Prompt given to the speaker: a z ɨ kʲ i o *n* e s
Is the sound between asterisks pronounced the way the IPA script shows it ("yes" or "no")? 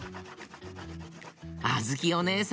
yes